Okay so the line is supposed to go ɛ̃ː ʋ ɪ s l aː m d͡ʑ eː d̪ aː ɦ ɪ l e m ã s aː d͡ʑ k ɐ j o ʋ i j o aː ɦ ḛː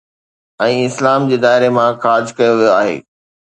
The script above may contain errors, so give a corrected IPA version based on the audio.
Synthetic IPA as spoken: ɛ̃ː ɪ s l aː m d͡ʑ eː d̪ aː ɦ ɪ ɾ e m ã x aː d͡ʑ k ɐ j o ʋ i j o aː ɦ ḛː